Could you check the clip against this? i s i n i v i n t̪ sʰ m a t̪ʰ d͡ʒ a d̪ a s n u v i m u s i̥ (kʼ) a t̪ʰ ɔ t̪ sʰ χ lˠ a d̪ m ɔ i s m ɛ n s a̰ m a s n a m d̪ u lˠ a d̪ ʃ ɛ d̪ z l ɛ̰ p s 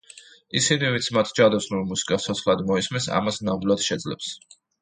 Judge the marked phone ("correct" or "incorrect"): correct